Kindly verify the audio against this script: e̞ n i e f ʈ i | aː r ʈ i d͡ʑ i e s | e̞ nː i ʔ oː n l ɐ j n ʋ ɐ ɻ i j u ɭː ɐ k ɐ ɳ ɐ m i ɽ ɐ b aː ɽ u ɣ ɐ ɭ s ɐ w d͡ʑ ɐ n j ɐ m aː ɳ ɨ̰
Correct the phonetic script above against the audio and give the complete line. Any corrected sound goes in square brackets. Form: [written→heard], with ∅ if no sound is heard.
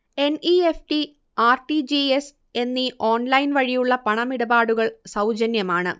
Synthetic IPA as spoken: e̞ n i e f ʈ i | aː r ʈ i d͡ʑ i e s | e̞ nː i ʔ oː n l ɐ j n ʋ ɐ ɻ i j u ɭː ɐ [k→p] ɐ ɳ ɐ m i ɽ ɐ b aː ɽ u ɣ ɐ ɭ s ɐ w d͡ʑ ɐ n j ɐ m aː ɳ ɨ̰